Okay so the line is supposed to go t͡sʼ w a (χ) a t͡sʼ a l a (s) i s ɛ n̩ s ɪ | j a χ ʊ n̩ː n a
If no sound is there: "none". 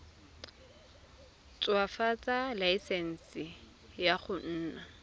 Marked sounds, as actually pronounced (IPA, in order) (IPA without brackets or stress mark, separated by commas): f, none